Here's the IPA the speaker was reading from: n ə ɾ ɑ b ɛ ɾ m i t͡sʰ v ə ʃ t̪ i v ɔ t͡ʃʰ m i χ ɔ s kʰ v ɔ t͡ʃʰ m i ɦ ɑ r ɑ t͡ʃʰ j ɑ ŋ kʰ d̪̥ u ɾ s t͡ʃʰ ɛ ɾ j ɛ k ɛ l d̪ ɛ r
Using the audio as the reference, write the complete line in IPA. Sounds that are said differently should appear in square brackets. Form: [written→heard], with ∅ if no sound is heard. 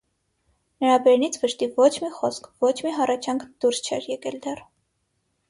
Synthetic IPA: n ə ɾ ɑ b ɛ ɾ [m→n] i t͡sʰ v ə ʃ t̪ i v ɔ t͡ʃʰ m i χ ɔ s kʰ v ɔ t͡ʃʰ m i ɦ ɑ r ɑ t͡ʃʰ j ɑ ŋ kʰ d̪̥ u ɾ s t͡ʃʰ ɛ ɾ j ɛ k ɛ l d̪ ɛ r